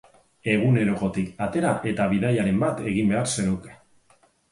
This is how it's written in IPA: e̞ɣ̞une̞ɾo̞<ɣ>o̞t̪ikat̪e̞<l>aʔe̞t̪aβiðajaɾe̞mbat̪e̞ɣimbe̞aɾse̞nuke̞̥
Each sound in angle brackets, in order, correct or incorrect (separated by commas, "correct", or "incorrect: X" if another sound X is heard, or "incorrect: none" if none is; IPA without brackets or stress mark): correct, incorrect: ɾ